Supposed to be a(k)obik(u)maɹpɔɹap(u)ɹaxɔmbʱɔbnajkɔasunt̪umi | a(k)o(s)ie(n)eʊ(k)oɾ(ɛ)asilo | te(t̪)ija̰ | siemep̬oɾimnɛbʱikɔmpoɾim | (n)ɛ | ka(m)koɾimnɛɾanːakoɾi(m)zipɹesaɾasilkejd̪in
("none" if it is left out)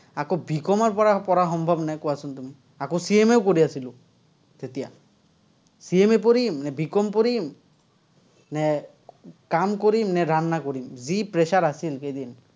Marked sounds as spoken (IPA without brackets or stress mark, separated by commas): k, ɔ, ɔ, k, s, m, k, i, t̪, n, m, m